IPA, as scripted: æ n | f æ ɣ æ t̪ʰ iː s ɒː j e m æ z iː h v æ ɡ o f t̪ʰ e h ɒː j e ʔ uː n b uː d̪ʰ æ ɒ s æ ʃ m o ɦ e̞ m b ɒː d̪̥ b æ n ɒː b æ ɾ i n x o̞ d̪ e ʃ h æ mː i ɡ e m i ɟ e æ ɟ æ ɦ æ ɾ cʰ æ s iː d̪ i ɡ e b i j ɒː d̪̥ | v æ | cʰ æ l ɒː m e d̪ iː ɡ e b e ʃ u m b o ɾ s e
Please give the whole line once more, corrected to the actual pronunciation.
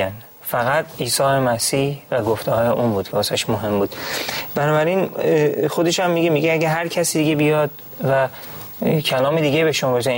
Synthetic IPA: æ n | f æ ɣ æ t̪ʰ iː s ɒː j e m æ s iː h v æ ɡ o f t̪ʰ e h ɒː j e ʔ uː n b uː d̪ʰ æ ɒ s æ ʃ m o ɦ e̞ m b uː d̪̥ b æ n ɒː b æ ɾ i n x o̞ d̪ e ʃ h æ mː i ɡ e m i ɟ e æ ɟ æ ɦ æ ɾ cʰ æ s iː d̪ i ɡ e b i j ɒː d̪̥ | v æ | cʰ æ l ɒː m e d̪ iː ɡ e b e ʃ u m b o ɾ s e